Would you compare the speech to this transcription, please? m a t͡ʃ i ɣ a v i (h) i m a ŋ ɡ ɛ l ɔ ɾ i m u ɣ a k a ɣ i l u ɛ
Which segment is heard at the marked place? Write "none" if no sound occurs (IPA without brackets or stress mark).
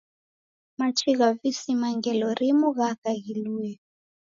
s